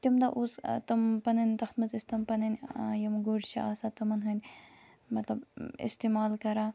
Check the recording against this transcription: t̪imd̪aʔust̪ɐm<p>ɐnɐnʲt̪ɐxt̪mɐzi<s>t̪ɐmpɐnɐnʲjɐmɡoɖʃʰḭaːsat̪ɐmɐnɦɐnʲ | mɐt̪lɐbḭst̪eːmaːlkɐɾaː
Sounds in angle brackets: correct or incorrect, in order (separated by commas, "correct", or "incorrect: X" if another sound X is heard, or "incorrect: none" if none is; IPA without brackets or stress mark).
correct, correct